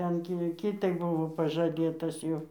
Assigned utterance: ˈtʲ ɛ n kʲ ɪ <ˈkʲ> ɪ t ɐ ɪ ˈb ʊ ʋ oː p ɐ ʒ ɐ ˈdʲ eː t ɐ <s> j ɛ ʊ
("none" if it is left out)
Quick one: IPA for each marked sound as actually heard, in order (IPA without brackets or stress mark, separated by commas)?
kʲ, s